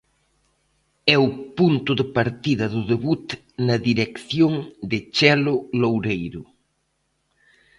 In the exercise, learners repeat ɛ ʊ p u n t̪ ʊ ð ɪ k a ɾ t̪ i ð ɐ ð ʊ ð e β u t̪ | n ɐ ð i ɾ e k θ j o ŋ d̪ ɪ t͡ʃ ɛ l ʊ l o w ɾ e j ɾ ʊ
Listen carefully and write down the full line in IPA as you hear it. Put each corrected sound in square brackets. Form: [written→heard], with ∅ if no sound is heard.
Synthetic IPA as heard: ɛ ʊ p u n t̪ ʊ ð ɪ [k→p] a ɾ t̪ i ð ɐ ð ʊ ð e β u t̪ | n ɐ ð i ɾ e k θ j o ŋ d̪ ɪ t͡ʃ ɛ l ʊ l o w ɾ e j ɾ ʊ

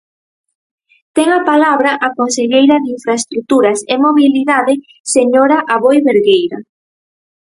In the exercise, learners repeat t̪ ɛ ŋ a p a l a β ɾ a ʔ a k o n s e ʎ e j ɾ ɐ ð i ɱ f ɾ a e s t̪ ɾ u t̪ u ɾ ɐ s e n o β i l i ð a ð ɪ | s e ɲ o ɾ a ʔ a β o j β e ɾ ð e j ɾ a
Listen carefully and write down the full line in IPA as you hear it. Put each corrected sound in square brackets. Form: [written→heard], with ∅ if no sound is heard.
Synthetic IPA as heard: t̪ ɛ ŋ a p a l a β ɾ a ʔ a k o n s e ʎ e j ɾ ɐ ð i ɱ f ɾ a e s t̪ ɾ u t̪ u ɾ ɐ s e [n→m] o β i l i ð a ð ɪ | s e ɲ o ɾ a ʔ a β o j β e ɾ [ð→ɣ] e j ɾ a

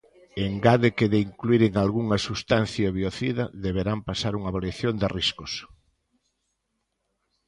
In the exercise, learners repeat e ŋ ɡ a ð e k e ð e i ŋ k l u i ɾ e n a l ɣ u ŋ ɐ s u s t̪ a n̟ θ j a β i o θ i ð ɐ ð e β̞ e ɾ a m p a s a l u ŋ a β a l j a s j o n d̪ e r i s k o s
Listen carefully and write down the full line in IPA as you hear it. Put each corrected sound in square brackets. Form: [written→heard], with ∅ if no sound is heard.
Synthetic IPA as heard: e ŋ ɡ a ð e k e ð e i ŋ k l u i ɾ e [n→ŋ] a l ɣ u ŋ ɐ s u s t̪ a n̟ θ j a β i o θ i ð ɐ ð e β̞ e ɾ a m p a s a [l→ɾ] u ŋ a β a l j a [s→θ] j o n d̪ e r i s k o s

